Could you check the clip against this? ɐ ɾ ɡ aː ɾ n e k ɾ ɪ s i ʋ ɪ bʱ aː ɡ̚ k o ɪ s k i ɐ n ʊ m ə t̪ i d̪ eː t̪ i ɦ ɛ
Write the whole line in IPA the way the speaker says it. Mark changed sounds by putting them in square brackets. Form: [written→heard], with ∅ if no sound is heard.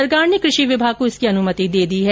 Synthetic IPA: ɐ ɾ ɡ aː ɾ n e k ɾ ɪ [s→ʃ] i ʋ ɪ bʱ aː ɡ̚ k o ɪ s k i ɐ n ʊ m ə t̪ i d̪ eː [t̪→d̪] i ɦ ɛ